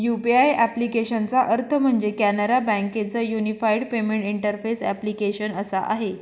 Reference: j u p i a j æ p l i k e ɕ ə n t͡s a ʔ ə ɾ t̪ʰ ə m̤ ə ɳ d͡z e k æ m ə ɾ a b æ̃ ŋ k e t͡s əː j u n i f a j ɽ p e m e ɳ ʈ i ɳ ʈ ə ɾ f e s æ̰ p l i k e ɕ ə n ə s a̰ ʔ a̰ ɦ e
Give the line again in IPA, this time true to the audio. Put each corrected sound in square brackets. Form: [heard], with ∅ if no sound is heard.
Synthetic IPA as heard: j u p i a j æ p l i k e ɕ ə n t͡s a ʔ ə ɾ t̪ʰ ə m̤ ə ɳ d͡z e k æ [n] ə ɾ a b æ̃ ŋ k e t͡s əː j u n i f a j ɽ p e m e ɳ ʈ i ɳ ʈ ə ɾ f e s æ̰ p l i k e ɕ ə n ə s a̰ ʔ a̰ ɦ e